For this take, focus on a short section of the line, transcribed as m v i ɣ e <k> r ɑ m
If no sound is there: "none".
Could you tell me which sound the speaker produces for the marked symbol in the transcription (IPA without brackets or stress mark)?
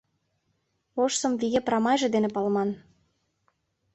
p